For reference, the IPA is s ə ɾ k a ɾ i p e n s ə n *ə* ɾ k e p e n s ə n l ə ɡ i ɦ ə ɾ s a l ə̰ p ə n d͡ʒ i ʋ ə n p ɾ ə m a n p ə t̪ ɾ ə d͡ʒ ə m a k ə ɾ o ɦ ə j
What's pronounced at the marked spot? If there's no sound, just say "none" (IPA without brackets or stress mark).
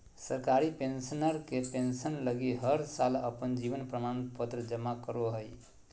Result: ə